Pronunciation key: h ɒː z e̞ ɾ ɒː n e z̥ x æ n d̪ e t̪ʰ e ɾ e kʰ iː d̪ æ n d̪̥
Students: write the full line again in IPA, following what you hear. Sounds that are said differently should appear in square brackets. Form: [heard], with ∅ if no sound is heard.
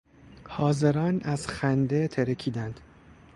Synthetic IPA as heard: h ɒː z e̞ ɾ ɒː n [æ] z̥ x æ n d̪ e t̪ʰ e ɾ e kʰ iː d̪ æ n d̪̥